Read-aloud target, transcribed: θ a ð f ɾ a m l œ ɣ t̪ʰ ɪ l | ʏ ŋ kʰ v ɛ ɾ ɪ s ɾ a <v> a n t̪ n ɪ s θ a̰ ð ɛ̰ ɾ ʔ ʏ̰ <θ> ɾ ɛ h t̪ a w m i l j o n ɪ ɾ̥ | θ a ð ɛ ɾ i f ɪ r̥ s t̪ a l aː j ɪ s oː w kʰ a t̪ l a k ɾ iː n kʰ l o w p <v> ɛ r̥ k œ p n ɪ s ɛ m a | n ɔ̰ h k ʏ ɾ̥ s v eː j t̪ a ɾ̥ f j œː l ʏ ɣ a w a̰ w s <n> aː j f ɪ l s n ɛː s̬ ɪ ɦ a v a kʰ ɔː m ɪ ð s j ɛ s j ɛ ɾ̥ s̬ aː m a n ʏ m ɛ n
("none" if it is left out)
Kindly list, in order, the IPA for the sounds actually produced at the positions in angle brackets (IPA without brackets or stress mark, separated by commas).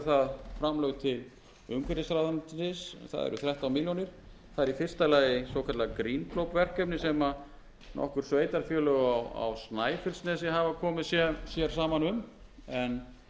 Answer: ð, θ, v, n